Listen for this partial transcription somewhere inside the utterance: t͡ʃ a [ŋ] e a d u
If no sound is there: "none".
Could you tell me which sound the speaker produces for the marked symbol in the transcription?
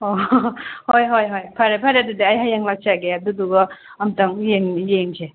ɡ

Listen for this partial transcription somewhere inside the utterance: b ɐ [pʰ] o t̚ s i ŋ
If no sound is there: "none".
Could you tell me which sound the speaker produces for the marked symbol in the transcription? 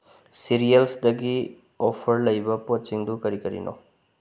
p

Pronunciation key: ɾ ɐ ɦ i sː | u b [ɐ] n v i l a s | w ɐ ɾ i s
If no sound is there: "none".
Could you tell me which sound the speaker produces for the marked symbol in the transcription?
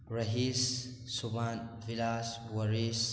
a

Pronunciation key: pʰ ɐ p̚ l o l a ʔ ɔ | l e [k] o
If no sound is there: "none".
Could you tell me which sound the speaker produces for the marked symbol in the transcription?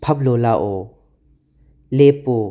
p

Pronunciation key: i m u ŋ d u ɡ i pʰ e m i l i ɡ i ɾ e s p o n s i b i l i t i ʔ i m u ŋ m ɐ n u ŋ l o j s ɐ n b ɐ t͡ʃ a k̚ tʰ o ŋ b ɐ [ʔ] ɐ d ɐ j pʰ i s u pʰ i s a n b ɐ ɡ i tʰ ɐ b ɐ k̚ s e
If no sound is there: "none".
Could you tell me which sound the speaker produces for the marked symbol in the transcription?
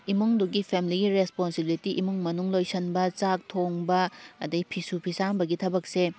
none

